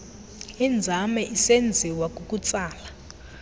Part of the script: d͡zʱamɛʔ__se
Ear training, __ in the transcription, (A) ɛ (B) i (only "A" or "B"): B